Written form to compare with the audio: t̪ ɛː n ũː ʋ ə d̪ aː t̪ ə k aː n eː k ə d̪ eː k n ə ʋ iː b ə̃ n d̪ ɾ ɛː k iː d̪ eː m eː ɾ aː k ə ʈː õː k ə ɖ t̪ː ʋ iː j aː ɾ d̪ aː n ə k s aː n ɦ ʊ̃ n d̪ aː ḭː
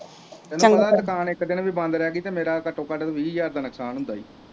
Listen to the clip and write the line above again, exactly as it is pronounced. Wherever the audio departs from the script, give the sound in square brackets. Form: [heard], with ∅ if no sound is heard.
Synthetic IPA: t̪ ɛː n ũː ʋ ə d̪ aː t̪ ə k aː n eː k ə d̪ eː [∅] n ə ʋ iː b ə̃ n d̪ ɾ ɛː [ɡ] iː [t̪] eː m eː ɾ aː k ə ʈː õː k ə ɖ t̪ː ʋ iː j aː ɾ d̪ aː n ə k s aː n ɦ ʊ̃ n d̪ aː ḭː